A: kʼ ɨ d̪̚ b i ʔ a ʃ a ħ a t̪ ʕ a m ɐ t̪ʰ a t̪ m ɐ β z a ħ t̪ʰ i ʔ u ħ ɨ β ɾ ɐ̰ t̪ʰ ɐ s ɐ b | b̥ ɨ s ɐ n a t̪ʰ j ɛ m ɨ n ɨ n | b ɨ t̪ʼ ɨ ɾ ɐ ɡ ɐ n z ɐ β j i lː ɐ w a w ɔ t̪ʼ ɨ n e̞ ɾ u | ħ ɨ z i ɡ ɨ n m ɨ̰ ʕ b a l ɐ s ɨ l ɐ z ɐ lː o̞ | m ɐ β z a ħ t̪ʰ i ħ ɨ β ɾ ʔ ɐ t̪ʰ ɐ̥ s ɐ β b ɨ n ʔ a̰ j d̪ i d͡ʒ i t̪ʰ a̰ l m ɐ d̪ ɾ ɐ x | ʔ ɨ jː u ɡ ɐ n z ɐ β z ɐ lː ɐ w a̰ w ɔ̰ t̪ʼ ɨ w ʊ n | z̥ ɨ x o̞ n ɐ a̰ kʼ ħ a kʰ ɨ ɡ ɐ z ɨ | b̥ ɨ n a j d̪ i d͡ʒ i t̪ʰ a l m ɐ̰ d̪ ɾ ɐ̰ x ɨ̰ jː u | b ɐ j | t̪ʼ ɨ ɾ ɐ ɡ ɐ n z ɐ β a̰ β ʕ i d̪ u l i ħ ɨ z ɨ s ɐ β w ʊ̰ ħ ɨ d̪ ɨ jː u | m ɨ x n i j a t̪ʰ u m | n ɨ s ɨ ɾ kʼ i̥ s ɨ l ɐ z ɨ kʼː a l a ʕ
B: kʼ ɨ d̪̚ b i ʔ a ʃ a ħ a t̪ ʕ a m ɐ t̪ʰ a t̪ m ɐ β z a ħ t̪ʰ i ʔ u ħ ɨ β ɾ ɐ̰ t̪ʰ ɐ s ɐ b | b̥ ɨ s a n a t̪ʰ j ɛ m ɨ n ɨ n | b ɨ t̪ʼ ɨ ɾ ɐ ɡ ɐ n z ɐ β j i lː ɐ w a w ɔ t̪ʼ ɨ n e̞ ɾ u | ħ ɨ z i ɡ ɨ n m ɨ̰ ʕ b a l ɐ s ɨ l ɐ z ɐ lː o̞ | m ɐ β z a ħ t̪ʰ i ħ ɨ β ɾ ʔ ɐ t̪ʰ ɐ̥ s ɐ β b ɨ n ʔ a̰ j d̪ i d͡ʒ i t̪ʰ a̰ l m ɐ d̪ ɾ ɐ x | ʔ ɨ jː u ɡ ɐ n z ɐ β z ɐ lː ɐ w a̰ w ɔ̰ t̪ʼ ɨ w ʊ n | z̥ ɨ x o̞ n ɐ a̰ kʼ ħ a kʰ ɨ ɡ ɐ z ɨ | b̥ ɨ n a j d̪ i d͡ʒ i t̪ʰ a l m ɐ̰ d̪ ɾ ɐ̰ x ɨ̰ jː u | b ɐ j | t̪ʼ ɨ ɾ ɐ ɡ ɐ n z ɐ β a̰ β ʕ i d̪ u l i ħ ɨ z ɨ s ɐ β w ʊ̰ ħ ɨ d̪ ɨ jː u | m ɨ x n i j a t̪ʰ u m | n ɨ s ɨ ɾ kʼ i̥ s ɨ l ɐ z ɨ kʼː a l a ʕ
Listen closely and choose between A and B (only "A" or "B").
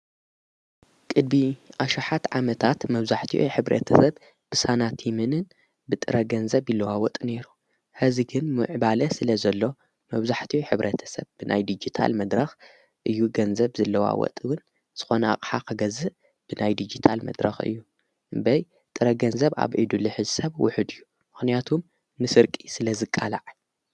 B